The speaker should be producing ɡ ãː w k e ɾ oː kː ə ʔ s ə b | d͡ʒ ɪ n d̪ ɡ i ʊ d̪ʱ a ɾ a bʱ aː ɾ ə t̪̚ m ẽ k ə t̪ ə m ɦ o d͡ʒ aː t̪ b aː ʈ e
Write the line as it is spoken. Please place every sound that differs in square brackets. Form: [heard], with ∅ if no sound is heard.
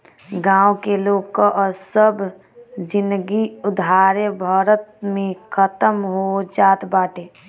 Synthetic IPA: ɡ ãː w k e [l] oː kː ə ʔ s ə b | d͡ʒ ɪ n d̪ ɡ i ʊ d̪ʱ a ɾ [e] bʱ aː ɾ ə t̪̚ m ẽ [kʰ] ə t̪ ə m ɦ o d͡ʒ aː t̪ b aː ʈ e